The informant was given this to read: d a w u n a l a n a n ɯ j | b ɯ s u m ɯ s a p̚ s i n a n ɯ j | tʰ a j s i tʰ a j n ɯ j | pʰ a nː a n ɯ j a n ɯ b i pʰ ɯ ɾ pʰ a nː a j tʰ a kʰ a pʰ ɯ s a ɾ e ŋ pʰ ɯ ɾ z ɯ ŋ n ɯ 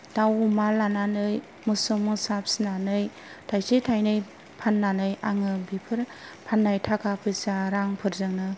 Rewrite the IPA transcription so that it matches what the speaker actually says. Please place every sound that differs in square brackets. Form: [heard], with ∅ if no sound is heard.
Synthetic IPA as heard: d a w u [m] a l a n a n ɯ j | [m] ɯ s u m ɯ s a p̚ s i n a n ɯ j | tʰ a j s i tʰ a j n ɯ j | pʰ a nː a n ɯ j a [ŋ] ɯ b i pʰ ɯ ɾ pʰ a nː a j tʰ a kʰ a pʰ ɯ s a ɾ [a] ŋ pʰ ɯ ɾ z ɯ ŋ n ɯ